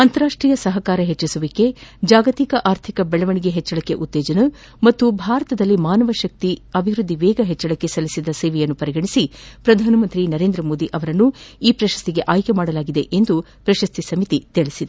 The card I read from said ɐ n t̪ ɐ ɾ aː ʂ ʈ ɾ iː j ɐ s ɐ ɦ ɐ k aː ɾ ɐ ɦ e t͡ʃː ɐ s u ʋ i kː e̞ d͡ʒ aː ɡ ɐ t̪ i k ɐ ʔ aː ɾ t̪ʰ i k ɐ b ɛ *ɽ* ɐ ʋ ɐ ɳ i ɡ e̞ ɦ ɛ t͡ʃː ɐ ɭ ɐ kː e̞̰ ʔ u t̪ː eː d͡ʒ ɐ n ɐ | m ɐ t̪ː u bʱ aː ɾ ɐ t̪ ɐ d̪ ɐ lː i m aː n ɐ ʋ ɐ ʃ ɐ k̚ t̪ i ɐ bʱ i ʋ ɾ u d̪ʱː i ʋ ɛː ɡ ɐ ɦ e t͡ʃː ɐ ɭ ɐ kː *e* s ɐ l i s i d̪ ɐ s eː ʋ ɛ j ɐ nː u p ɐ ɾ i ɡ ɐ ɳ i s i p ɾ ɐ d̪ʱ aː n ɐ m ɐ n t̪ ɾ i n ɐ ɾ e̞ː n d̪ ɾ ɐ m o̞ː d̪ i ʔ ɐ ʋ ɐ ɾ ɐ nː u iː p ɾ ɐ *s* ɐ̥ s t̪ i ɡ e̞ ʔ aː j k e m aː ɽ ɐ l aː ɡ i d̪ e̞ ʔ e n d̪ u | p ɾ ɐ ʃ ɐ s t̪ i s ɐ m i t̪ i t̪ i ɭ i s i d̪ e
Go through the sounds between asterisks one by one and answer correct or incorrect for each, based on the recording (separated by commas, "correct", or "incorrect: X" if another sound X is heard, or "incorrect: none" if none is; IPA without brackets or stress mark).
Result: incorrect: ɭ, correct, incorrect: ʃ